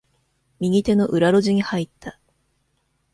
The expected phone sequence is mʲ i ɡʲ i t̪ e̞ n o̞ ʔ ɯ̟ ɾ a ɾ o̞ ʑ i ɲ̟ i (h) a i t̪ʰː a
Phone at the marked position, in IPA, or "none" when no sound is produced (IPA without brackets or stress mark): h